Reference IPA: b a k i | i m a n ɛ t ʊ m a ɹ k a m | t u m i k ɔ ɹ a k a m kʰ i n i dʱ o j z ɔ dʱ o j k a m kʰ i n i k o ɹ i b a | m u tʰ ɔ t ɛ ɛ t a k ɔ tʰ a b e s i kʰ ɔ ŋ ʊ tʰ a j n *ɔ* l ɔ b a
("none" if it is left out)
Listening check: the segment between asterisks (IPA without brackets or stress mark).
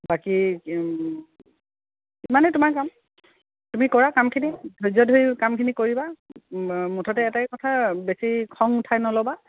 ɔ